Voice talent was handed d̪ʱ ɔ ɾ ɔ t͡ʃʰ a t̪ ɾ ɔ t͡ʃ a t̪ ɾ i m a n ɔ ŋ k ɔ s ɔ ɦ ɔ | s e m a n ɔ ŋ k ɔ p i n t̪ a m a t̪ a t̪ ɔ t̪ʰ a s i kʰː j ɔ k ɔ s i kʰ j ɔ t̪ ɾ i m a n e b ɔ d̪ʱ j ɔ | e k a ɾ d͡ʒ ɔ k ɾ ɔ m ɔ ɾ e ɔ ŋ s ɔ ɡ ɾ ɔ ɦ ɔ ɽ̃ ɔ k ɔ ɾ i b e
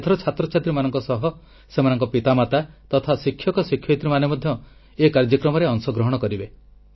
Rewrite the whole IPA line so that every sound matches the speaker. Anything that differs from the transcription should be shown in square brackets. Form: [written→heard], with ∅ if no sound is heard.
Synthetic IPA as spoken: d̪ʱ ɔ ɾ ɔ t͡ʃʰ a t̪ ɾ ɔ t͡ʃ a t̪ ɾ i m a n ɔ ŋ k ɔ s ɔ ɦ ɔ | s e m a n ɔ ŋ k ɔ p i [n→∅] t̪ a m a t̪ a t̪ ɔ t̪ʰ a s i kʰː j ɔ k ɔ s i kʰ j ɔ t̪ ɾ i m a n e [b→m] ɔ d̪ʱ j ɔ | e k a ɾ d͡ʒ ɔ k ɾ ɔ m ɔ ɾ e ɔ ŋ s ɔ ɡ ɾ ɔ ɦ ɔ ɽ̃ ɔ k ɔ ɾ i b e